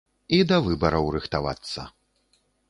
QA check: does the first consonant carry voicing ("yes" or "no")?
yes